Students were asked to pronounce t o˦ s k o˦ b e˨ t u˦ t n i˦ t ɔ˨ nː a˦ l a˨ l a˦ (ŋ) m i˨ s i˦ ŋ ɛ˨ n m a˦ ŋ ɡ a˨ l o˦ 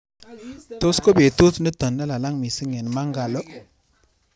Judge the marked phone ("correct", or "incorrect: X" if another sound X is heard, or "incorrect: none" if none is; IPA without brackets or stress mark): correct